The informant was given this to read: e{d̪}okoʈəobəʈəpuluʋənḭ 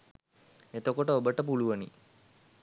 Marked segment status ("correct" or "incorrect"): incorrect